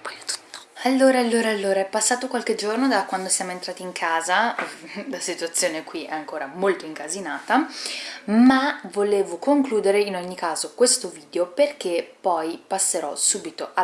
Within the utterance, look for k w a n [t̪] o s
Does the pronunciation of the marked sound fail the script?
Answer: yes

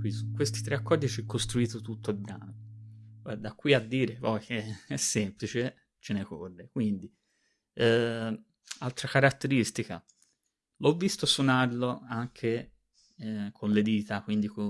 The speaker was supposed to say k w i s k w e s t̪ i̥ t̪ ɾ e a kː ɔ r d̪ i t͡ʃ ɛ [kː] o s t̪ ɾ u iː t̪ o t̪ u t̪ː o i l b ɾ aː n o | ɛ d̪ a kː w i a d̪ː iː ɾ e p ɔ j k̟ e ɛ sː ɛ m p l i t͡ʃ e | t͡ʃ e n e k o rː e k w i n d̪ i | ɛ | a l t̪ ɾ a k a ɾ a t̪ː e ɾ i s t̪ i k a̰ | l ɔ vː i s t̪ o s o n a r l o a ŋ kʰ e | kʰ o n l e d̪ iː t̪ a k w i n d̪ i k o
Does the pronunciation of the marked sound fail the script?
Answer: no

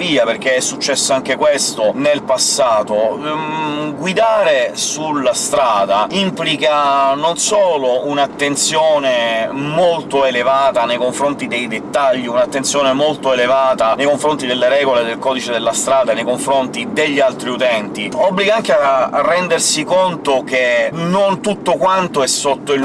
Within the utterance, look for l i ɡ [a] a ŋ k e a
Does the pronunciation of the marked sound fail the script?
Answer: no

